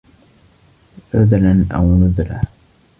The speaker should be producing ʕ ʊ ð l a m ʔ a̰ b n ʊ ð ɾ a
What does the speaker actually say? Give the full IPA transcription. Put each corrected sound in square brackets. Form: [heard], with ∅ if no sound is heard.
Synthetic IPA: ʕ ʊ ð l a [n] ʔ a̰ [w] n ʊ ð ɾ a

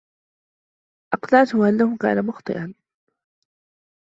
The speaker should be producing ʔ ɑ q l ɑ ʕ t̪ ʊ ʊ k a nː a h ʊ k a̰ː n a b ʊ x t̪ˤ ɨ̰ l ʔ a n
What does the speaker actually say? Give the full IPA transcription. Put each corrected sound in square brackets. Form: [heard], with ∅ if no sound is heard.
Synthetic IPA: ʔ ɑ q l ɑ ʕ t̪ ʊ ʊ [ʔ] a nː a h ʊ k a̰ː n a [m] ʊ x t̪ˤ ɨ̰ [∅] ʔ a n

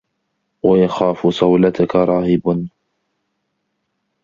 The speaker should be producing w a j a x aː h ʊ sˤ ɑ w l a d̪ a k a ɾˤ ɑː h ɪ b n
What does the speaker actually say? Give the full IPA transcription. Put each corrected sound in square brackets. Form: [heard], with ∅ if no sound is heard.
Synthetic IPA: w a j a x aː [f] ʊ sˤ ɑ w l a [t̪] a k a ɾˤ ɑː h ɪ b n

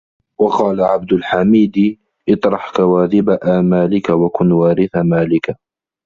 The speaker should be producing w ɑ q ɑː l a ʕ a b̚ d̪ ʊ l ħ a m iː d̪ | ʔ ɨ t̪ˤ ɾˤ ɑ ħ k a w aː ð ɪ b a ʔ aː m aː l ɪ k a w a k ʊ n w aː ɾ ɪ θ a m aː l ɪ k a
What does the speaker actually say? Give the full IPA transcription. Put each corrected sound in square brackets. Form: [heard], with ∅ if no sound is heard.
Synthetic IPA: w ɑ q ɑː l a ʕ a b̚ d̪ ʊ l ħ a m iː d̪ | ʔ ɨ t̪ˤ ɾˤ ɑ ħ k a w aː ð ɪ b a ʔ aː m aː l ɪ k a w a k ʊ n w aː ɾ ɪ θ a m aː l ɪ k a

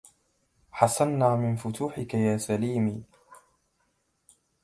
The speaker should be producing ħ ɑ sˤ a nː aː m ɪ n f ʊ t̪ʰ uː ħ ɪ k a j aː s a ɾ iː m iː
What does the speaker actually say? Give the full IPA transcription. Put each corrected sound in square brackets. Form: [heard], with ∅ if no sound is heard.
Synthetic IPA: ħ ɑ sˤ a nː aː m ɪ n f ʊ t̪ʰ uː ħ ɪ k a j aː s a [l] iː m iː

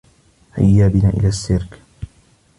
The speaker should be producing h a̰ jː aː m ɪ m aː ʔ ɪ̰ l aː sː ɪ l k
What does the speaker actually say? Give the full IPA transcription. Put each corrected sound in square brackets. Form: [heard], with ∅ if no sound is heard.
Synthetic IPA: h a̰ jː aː [b] ɪ [n] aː ʔ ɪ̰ l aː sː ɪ [ɾ] k

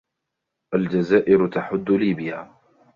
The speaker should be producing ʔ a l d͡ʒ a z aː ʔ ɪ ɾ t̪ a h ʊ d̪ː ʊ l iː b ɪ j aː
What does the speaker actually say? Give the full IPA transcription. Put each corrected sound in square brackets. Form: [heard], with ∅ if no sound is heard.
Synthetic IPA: ʔ a l d͡ʒ a z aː ʔ ɪ ɾ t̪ a [ħ] ʊ d̪ː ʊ l iː b ɪ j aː

